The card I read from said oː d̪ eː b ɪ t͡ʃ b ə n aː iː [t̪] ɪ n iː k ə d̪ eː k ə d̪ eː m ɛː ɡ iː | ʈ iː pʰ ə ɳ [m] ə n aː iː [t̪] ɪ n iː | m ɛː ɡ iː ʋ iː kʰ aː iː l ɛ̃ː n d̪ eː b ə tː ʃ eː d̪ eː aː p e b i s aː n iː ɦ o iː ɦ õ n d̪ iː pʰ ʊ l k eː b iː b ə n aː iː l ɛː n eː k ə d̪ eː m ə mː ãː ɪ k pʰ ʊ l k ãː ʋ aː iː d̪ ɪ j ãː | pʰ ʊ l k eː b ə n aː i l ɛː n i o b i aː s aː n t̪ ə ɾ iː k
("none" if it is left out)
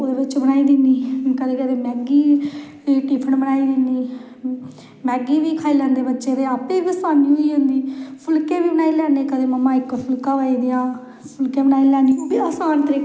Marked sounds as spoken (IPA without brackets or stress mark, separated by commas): d̪, b, d̪